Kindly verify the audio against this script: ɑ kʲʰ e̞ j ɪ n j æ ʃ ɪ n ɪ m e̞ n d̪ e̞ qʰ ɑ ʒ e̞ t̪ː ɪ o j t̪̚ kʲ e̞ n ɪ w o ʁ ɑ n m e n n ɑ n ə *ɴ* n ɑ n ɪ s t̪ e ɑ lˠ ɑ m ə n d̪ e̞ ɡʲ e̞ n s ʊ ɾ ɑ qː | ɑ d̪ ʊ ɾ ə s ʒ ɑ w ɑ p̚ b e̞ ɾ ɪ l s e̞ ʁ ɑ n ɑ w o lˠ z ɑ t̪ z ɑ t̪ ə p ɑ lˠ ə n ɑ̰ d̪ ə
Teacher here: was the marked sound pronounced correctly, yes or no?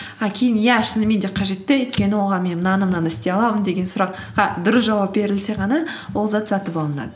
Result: no